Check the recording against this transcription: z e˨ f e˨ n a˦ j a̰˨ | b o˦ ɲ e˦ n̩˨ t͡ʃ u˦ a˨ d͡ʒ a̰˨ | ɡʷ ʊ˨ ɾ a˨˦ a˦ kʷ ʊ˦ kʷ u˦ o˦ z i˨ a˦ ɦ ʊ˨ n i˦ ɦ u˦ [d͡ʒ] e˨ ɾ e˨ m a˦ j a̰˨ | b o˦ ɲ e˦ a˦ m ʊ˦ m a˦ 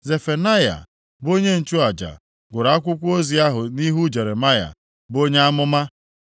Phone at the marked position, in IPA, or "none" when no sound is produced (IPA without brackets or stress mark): d͡ʒ